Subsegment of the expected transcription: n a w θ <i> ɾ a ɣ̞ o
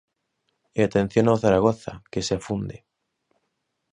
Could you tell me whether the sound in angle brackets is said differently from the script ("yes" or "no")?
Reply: yes